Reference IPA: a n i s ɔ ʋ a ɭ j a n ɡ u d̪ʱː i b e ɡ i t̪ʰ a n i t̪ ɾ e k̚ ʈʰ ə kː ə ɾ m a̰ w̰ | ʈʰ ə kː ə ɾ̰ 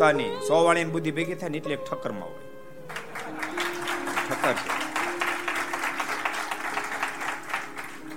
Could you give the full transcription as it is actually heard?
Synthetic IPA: a n i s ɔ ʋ a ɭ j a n b u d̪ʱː i b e ɡ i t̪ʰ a n i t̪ l e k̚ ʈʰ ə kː ə ɾ m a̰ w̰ | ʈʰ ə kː ə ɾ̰